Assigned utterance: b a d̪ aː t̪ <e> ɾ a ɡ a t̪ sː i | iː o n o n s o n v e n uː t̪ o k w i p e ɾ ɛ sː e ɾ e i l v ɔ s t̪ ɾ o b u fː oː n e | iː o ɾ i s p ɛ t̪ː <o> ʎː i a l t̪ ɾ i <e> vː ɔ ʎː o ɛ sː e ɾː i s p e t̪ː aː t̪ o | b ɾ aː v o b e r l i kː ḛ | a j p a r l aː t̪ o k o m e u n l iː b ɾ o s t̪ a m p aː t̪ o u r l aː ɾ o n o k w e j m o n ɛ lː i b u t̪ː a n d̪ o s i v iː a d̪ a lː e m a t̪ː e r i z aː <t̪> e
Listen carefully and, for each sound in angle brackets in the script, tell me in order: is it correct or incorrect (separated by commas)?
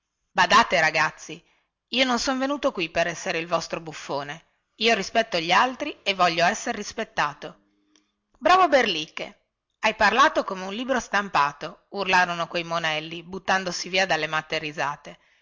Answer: correct, correct, correct, correct